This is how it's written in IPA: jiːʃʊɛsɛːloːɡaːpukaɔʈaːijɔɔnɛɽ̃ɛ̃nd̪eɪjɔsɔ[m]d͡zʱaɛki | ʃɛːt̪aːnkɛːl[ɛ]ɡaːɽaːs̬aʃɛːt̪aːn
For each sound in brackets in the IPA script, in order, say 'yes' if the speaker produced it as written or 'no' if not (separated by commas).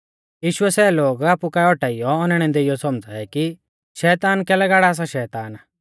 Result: yes, yes